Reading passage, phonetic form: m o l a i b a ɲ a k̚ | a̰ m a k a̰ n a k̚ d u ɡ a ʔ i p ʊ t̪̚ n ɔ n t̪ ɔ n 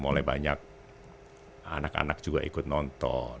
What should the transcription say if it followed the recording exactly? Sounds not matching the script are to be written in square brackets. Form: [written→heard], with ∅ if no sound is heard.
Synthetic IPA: m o l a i b a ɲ a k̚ | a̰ [m→n] a k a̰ n a k̚ [d→d͡ʒ] u ɡ a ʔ i [p→k] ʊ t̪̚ n ɔ n t̪ ɔ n